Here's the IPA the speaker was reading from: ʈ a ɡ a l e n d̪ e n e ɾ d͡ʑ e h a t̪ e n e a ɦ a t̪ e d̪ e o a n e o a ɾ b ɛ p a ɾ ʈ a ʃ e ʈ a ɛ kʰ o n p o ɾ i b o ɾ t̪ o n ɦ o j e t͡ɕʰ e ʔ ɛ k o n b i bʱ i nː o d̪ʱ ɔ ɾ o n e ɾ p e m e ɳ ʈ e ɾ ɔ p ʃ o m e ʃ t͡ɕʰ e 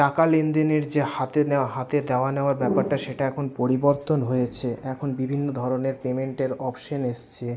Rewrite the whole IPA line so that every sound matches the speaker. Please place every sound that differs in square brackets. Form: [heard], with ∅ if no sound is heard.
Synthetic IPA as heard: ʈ a [k] a l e n d̪ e n e ɾ d͡ʑ e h a t̪ e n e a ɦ a t̪ e d̪ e o a n e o a ɾ b ɛ p a ɾ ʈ a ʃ e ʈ a ɛ kʰ o n p o ɾ i b o ɾ t̪ o n ɦ o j e t͡ɕʰ e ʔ ɛ [kʰ] o n b i bʱ i nː o d̪ʱ ɔ ɾ o n e ɾ p e m e ɳ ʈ e ɾ ɔ p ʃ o [n] e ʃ t͡ɕʰ e